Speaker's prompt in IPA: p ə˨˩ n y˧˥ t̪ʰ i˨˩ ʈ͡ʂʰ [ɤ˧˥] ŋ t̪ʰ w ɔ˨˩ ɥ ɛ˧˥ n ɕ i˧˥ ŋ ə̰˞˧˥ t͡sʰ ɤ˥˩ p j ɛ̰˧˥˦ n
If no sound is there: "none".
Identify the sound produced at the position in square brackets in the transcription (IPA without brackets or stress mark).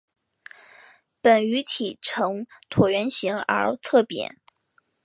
ɤ˧˥